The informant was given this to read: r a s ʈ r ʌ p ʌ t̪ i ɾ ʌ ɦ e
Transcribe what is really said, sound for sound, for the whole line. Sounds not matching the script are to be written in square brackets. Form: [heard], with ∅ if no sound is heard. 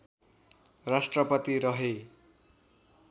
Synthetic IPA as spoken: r a s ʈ r ʌ p ʌ t̪ i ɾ ʌ ɦ e